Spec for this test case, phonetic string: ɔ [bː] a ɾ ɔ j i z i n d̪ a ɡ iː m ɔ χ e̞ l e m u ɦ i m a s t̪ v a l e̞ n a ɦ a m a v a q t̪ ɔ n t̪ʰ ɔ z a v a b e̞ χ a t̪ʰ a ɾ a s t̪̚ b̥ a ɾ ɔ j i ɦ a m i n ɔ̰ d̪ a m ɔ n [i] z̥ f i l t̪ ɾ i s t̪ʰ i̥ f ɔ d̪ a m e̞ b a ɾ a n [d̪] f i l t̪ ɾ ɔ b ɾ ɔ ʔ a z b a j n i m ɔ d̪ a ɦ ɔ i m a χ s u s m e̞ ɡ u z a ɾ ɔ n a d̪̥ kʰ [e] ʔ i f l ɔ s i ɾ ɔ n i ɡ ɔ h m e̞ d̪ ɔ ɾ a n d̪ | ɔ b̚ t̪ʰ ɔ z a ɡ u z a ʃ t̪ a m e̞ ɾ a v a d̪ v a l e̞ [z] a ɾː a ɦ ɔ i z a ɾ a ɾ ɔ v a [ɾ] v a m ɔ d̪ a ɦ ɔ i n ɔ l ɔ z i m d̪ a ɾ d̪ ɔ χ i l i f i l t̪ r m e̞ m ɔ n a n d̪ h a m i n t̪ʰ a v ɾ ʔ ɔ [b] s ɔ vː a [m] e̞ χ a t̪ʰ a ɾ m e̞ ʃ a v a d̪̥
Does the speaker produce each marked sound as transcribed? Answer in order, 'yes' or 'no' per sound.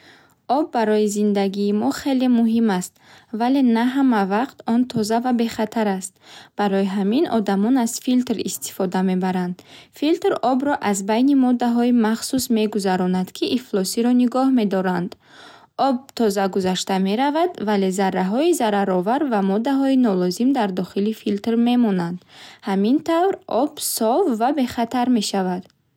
yes, no, yes, no, yes, yes, yes, no

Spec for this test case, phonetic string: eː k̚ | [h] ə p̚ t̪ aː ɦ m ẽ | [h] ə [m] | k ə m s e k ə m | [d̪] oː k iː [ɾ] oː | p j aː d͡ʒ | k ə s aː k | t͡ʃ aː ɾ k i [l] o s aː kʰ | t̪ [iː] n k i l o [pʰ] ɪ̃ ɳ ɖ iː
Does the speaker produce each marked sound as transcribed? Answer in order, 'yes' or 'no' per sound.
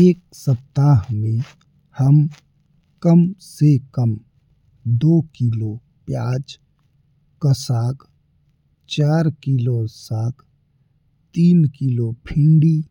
no, yes, yes, yes, no, yes, yes, yes

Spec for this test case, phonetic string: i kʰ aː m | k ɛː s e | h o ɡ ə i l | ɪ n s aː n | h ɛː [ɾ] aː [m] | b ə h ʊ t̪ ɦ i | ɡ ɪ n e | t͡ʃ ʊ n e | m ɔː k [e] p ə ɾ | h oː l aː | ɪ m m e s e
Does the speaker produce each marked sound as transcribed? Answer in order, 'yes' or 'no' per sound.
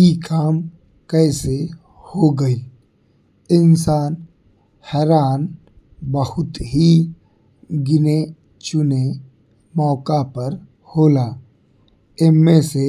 yes, no, no

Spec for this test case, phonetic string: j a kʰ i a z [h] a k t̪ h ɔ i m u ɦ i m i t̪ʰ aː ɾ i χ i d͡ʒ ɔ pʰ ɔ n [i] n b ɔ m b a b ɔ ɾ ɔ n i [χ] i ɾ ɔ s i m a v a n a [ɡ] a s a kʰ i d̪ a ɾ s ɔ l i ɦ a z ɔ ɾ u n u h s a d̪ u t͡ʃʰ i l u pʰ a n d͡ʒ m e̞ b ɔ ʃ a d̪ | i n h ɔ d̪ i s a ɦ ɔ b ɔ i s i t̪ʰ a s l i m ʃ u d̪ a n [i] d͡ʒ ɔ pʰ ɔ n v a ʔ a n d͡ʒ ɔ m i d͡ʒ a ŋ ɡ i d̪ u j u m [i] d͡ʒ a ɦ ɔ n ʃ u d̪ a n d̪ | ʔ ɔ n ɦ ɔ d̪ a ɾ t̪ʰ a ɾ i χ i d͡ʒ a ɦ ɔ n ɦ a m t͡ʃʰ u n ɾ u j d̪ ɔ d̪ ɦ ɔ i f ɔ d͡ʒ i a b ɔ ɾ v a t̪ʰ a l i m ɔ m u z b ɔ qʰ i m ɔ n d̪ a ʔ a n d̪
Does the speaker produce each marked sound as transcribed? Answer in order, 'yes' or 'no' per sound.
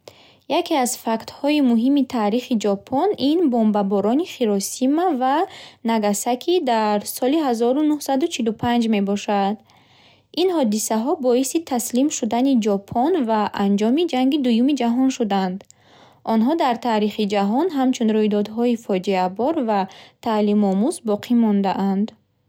no, yes, yes, yes, yes, yes

